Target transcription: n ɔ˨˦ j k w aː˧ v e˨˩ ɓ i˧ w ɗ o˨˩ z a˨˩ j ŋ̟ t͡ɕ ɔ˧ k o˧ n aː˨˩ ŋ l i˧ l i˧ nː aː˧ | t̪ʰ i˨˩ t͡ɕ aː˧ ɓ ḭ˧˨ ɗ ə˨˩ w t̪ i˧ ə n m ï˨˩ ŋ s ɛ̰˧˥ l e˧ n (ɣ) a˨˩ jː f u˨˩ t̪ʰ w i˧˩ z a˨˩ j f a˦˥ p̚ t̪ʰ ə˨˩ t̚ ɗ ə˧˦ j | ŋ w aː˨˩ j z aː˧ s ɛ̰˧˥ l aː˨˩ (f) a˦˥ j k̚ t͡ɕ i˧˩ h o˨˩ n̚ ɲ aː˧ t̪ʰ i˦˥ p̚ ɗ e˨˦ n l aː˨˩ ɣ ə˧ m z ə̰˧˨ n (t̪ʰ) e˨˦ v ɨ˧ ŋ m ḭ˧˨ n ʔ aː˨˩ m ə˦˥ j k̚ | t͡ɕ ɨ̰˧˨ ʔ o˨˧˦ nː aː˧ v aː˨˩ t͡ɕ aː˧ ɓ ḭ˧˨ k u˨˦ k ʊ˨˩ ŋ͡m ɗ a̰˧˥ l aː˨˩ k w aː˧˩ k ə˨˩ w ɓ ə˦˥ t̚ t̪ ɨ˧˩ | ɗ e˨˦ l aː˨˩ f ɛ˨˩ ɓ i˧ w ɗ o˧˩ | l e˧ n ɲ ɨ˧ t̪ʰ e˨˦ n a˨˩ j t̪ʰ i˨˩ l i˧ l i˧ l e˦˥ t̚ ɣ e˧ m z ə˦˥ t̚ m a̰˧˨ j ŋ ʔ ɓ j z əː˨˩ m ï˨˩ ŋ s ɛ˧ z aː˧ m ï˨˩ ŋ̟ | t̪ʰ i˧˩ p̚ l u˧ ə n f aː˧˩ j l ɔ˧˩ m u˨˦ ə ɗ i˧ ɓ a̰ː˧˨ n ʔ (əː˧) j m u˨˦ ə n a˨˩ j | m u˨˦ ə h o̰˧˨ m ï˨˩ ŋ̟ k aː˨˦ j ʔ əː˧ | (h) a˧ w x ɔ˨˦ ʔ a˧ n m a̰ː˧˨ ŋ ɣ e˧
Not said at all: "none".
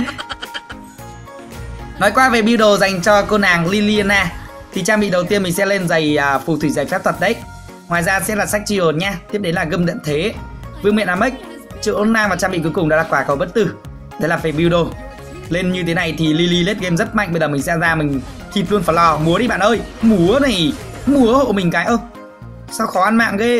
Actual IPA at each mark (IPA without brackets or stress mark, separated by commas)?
z, s, t̪ʰ, əː˧, s